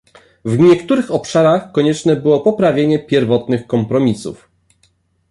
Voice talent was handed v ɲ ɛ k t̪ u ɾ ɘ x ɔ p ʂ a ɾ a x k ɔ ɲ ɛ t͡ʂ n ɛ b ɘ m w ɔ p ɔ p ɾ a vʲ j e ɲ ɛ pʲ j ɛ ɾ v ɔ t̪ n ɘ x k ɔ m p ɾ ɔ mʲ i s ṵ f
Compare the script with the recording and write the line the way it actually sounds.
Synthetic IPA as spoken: v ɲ ɛ k t̪ u ɾ ɘ x ɔ p ʂ a ɾ a x k ɔ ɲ ɛ t͡ʂ n ɛ b ɘ w ɔ p ɔ p ɾ a vʲ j e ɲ ɛ pʲ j ɛ ɾ v ɔ t̪ n ɘ x k ɔ m p ɾ ɔ mʲ i s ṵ f